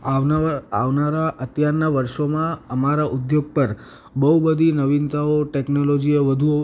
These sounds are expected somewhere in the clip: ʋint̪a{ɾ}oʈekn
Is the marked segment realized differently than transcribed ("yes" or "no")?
yes